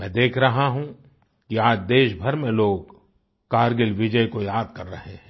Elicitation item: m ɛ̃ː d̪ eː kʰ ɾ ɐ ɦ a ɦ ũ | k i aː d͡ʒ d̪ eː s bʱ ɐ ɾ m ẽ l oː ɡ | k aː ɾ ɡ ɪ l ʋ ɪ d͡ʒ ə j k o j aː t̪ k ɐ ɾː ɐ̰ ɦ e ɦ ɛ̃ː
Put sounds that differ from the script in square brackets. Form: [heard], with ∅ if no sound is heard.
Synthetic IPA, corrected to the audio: m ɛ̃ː d̪ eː kʰ ɾ ɐ ɦ a ɦ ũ | k i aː d͡ʒ d̪ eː [ʃ] bʱ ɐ ɾ m ẽ l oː ɡ | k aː ɾ ɡ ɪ l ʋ ɪ d͡ʒ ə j k o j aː [d̪] k ɐ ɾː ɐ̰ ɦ e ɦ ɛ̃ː